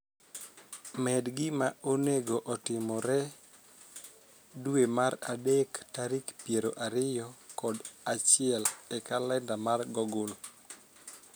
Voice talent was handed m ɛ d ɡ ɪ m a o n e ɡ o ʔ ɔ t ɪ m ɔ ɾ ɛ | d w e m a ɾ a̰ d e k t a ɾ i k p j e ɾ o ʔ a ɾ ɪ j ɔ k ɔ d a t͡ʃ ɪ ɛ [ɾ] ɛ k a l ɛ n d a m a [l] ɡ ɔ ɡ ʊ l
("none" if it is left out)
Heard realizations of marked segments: l, r

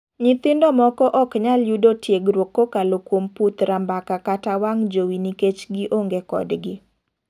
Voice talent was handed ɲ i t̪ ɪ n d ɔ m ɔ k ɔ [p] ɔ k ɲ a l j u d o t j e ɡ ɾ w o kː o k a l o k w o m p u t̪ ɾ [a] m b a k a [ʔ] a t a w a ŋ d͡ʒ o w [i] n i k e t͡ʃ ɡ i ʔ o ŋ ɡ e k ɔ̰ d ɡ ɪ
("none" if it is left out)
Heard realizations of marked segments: ʔ, a, k, i

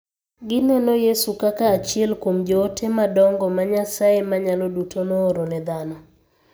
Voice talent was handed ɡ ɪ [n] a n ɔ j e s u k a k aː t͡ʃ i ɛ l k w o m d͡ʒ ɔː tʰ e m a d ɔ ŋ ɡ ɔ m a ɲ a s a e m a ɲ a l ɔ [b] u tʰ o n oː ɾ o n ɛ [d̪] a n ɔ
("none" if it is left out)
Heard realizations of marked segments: n, d, d̪

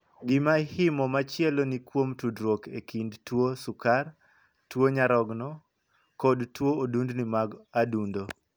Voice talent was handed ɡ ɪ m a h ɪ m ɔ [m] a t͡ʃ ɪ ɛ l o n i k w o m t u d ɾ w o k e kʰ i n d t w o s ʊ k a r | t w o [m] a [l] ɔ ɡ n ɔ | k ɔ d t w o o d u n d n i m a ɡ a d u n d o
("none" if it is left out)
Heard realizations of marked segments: m, ɲ, ɾ

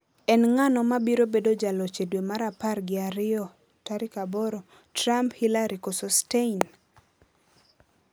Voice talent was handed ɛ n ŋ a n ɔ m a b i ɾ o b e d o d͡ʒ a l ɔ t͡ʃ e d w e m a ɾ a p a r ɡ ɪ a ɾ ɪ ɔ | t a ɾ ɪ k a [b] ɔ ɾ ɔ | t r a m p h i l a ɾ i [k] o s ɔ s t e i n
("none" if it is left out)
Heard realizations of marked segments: b, k

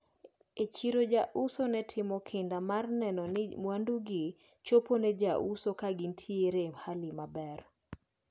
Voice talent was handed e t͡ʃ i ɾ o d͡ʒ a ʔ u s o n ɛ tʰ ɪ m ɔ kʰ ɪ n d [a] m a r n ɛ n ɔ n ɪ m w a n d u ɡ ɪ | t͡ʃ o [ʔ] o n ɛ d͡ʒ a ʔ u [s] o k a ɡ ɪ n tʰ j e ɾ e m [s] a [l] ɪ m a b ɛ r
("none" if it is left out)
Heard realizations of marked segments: a, p, s, h, l

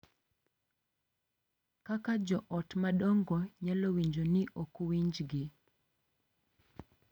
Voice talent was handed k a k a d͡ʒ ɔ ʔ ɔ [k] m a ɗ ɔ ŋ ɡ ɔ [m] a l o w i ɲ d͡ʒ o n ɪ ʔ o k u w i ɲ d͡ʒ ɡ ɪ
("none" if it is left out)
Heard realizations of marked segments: t, ɲ

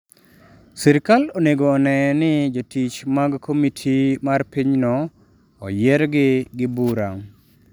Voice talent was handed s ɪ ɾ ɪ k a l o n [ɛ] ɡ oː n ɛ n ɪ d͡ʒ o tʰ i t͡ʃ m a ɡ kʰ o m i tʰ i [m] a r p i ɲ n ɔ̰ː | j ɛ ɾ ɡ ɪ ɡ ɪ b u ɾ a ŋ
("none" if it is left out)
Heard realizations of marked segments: e, m

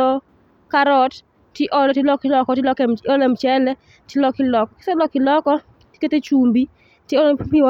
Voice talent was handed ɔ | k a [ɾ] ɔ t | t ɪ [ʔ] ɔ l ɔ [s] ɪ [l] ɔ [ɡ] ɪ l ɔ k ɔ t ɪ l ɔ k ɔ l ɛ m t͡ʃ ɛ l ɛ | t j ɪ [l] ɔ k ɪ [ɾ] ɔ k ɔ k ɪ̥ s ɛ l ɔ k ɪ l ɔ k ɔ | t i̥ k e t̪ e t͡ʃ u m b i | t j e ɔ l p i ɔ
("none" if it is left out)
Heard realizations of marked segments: ɾ, ʔ, t, l, k, l, l

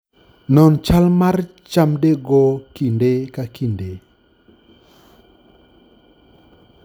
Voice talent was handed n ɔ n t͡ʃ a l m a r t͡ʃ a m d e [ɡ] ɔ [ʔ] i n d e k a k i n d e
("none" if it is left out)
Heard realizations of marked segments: ɡ, k

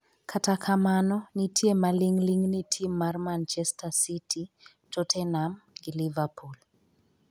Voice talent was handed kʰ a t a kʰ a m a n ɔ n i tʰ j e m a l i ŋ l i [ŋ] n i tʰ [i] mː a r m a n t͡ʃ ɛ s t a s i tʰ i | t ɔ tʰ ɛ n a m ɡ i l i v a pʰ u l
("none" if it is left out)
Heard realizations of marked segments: ŋ, i

